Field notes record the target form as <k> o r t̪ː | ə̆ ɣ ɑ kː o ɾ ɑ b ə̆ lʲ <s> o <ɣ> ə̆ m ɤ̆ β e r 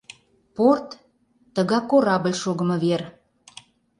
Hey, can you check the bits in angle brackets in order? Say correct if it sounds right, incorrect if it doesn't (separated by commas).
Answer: incorrect, incorrect, correct